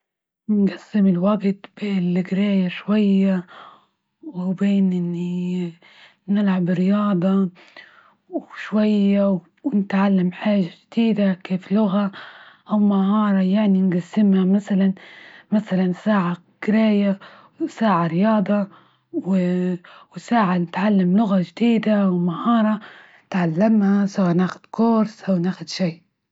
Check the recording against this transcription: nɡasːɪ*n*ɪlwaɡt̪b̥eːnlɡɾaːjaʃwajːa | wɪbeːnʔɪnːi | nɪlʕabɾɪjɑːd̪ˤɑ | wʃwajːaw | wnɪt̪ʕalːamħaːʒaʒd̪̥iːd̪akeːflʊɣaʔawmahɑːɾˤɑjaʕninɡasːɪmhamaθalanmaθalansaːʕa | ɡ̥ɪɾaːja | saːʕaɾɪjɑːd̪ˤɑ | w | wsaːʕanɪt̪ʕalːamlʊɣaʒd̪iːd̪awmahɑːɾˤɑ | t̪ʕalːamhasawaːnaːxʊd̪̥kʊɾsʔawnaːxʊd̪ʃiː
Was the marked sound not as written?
yes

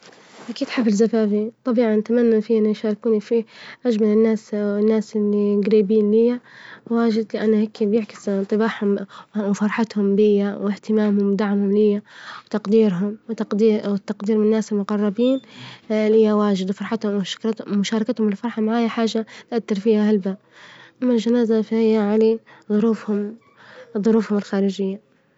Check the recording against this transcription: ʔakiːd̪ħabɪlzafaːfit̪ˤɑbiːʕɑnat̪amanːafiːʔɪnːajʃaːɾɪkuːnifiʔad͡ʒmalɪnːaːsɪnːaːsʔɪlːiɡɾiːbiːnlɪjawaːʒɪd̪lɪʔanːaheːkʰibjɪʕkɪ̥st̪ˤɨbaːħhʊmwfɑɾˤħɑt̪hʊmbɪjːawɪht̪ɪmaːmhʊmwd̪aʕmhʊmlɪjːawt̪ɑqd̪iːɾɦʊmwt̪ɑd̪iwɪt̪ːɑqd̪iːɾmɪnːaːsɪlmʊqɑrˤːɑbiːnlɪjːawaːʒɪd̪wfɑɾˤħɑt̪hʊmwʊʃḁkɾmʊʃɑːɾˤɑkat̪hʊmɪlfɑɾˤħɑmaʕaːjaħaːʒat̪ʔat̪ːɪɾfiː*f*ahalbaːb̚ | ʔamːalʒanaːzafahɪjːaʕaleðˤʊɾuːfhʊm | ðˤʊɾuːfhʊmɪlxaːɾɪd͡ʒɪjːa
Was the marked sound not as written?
yes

